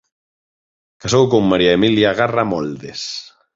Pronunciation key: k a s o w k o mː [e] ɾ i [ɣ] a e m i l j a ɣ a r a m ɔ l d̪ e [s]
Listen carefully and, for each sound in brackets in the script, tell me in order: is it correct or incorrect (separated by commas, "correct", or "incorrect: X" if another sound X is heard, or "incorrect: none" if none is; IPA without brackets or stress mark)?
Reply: incorrect: a, incorrect: none, correct